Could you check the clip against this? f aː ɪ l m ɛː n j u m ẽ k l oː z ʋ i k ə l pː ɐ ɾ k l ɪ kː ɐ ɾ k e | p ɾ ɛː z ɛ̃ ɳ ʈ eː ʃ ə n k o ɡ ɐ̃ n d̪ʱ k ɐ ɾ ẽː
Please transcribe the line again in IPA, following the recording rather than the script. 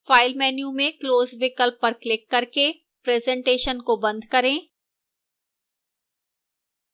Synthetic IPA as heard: f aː ɪ l m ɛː n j u m ẽ k l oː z ʋ ɪ k ə l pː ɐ ɾ k l ɪ kː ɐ ɾ k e | p ɾ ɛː z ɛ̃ ɳ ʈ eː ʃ ə n k o b ɐ̃ n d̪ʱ k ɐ ɾ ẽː